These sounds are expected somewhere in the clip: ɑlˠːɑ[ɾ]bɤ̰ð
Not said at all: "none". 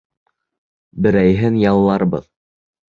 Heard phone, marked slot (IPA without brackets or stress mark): ɾ